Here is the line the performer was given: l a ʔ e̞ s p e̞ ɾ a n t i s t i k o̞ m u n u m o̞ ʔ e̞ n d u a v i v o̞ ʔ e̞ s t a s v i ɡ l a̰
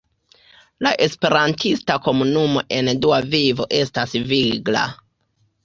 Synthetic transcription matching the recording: l a ʔ e̞ s p e̞ ɾ a n t i s t a k o̞ m u n u m o̞ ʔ e̞ n d u a v i v o̞ ʔ e̞ s t a s v i ɡ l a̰